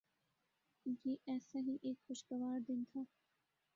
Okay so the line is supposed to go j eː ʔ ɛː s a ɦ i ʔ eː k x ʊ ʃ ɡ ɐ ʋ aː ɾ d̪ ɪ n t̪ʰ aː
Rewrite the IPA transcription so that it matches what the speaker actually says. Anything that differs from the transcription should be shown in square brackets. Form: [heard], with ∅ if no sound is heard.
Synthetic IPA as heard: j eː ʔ ɛː s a ɦ i ʔ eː k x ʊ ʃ ɡ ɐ ʋ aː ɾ d̪ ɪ n t̪ʰ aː